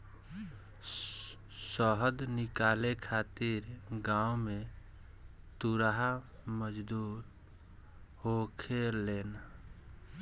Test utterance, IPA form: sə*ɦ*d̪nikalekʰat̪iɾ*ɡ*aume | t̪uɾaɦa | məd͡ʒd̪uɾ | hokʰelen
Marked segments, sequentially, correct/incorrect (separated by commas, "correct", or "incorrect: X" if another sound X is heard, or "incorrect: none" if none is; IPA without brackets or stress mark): correct, correct